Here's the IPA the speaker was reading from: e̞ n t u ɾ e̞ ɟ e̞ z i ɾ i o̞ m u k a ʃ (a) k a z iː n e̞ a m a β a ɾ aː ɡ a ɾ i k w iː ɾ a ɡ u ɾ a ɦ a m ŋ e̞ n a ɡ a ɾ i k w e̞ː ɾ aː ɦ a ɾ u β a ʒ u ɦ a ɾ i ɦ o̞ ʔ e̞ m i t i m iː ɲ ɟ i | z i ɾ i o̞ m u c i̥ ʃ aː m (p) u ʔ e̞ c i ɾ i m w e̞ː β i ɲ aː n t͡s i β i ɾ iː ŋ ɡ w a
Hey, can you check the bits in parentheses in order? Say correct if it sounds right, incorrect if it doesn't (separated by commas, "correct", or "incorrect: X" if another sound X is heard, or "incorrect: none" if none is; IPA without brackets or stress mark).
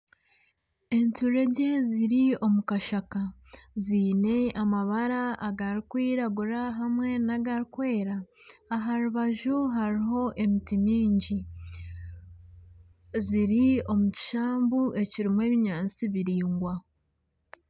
correct, incorrect: b